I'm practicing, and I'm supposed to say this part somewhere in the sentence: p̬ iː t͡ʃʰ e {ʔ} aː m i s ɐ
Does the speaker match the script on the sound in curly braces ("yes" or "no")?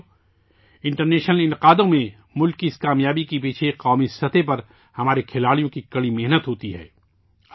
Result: no